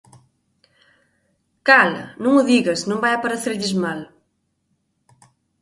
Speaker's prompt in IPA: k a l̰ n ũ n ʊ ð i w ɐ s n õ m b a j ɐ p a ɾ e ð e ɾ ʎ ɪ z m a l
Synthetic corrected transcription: k a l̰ n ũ ŋ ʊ ð i ɣ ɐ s n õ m b a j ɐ p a ɾ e θ e ɾ ʎ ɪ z m a l